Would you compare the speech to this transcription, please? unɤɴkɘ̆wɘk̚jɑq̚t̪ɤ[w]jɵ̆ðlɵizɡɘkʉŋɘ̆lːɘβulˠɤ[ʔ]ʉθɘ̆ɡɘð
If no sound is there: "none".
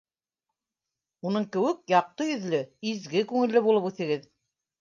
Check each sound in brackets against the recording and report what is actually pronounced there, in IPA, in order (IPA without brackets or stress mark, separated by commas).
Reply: none, p